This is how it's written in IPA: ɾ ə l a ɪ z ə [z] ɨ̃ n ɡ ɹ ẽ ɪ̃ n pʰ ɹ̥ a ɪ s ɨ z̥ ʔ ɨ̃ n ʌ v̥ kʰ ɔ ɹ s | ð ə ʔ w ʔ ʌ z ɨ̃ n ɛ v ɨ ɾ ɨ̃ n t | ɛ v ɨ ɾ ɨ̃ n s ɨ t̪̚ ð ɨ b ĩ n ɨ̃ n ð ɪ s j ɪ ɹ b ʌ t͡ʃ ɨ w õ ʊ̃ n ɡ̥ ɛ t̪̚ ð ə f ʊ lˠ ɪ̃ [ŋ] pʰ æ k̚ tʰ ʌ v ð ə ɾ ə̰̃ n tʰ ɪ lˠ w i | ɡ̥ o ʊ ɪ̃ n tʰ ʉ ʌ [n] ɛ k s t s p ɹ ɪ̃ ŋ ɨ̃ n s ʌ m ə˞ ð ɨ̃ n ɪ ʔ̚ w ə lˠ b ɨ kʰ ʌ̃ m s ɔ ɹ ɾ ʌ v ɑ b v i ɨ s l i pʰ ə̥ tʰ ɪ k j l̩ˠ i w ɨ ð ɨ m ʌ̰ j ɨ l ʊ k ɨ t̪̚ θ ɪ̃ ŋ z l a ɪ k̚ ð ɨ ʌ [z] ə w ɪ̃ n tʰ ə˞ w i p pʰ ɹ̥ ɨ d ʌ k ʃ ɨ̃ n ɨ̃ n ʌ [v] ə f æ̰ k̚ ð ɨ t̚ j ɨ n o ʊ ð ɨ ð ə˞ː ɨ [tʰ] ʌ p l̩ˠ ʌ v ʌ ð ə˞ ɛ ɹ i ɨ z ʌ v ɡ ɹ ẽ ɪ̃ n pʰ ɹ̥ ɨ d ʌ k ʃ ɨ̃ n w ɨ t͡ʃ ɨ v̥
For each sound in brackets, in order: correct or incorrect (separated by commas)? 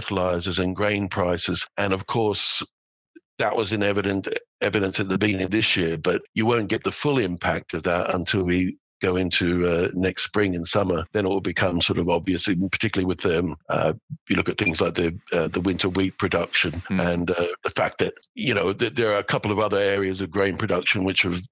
correct, incorrect, correct, incorrect, incorrect, incorrect